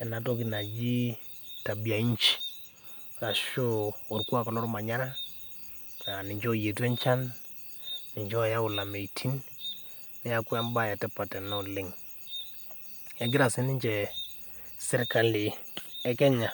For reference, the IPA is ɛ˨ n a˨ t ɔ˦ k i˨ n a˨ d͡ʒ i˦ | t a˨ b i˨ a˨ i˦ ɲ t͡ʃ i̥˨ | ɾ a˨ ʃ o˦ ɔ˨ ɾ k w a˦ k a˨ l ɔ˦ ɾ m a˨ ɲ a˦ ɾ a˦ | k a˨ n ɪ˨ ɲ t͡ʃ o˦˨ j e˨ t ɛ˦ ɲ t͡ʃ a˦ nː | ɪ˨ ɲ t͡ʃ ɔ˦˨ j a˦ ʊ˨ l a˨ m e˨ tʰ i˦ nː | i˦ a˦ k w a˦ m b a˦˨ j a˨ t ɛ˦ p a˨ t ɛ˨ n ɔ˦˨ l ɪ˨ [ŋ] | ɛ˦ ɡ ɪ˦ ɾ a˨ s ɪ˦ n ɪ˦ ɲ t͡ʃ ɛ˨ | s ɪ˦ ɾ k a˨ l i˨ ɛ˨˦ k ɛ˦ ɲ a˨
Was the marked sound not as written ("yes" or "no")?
no